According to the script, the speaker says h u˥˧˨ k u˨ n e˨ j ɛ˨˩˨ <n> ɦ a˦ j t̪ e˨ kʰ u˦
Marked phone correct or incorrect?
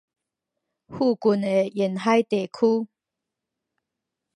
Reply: correct